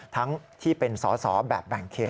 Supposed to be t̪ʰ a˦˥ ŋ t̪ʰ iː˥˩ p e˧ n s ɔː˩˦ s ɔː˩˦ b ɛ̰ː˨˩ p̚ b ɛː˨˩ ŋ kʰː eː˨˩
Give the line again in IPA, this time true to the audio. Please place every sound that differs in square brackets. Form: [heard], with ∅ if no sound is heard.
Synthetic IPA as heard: t̪ʰ a˦˥ ŋ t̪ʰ iː˥˩ p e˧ n s ɔː˩˦ s ɔː˩˦ b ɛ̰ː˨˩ p̚ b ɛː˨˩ ŋ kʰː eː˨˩